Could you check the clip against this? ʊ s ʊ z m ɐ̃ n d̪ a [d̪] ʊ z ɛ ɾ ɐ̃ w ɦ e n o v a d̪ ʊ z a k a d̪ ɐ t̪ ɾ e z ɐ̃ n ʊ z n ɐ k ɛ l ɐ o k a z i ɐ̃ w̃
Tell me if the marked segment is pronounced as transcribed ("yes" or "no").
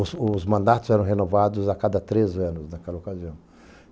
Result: no